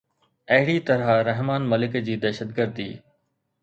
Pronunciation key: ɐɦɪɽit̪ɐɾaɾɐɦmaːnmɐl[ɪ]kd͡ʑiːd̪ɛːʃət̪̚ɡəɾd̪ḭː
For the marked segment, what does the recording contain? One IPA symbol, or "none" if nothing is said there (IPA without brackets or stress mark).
ɪ